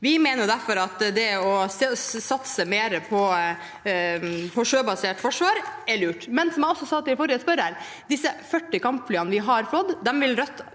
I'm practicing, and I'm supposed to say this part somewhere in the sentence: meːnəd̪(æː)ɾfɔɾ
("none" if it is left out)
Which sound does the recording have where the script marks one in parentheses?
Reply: æ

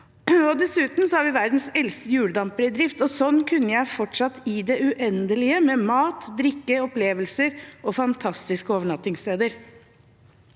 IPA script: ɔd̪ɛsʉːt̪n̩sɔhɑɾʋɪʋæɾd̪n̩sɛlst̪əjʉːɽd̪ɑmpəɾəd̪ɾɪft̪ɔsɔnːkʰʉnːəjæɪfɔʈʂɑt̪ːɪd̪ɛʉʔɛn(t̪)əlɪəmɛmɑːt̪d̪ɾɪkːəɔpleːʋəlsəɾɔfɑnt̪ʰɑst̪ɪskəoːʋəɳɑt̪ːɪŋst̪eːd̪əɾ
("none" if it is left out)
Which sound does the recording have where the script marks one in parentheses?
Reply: d̪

